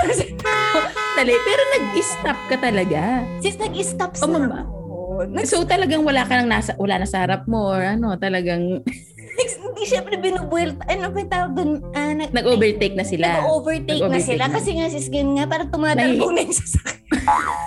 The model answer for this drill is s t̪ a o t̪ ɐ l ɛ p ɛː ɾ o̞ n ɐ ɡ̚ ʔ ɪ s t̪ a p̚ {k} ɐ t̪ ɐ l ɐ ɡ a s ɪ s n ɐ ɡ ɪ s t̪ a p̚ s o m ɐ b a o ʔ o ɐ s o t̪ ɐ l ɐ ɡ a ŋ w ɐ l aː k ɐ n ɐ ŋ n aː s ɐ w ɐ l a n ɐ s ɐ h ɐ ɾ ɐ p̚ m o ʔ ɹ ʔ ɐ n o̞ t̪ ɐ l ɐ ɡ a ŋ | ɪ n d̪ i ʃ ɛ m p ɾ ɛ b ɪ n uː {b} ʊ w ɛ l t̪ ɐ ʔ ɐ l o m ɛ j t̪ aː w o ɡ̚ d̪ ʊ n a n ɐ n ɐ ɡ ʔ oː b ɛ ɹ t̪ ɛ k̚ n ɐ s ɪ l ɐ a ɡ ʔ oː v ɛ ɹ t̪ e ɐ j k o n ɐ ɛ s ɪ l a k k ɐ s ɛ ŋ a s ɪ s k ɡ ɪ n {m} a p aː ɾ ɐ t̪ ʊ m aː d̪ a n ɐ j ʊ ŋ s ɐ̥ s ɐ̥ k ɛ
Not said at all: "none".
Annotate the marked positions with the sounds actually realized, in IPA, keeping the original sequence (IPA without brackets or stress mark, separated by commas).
k, b, ŋ